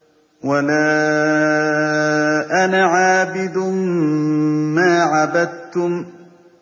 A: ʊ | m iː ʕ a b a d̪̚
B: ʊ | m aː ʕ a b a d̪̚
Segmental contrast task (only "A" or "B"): B